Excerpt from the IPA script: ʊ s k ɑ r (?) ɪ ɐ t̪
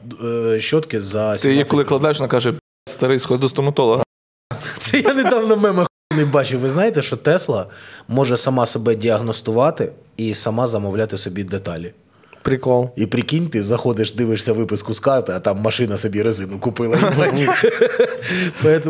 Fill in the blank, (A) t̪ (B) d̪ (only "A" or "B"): A